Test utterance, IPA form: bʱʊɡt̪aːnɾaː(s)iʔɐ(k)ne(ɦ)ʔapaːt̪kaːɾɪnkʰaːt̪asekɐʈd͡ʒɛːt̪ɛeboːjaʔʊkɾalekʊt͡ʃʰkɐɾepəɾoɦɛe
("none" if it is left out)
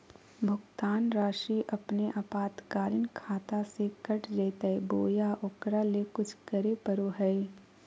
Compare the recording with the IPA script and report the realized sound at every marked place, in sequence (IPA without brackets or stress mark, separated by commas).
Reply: ʃ, p, none